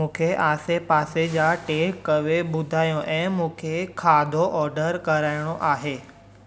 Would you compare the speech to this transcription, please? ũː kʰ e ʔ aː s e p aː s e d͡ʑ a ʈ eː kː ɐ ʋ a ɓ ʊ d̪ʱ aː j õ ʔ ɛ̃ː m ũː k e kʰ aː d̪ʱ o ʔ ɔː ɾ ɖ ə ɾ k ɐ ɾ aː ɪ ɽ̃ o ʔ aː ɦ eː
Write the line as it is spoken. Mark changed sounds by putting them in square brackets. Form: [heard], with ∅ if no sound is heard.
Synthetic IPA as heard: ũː kʰ e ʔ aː s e p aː s e d͡ʑ a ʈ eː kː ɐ ʋ [e] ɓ ʊ d̪ʱ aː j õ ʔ ɛ̃ː m ũː [kʰ] e kʰ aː d̪ʱ o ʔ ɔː ɾ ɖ ə ɾ k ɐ ɾ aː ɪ ɽ̃ o ʔ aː ɦ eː